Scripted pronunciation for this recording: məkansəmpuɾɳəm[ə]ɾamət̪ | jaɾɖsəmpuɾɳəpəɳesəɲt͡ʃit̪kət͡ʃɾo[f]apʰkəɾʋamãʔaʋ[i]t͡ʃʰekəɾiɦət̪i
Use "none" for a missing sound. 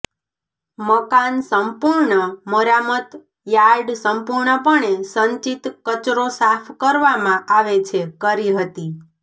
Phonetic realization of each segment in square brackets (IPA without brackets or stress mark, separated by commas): ə, s, e